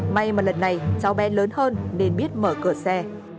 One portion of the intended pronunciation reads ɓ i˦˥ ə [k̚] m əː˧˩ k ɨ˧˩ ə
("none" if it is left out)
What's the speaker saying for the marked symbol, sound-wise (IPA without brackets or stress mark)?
t̚